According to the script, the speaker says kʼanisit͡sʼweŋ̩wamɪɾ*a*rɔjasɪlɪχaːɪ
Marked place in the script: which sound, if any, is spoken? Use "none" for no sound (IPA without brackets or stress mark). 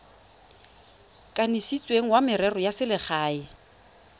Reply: ɛ